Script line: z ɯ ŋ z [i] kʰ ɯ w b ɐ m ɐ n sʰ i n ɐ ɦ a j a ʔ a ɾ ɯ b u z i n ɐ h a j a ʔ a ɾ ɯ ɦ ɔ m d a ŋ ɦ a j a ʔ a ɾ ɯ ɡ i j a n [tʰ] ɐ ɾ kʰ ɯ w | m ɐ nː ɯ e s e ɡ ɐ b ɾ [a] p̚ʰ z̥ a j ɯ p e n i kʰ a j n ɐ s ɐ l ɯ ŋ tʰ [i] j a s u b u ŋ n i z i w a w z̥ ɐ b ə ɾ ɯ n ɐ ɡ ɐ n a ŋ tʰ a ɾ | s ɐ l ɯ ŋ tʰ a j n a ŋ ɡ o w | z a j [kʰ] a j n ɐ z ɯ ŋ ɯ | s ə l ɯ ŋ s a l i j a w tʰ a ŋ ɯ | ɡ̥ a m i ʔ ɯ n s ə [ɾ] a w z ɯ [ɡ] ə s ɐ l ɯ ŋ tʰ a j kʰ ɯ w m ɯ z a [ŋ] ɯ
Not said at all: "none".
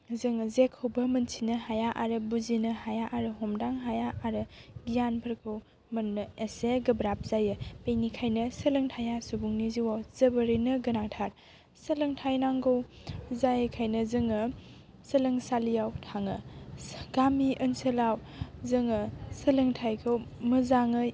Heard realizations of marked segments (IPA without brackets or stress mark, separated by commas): e, pʰ, a, a, kʰ, l, ŋ, ŋ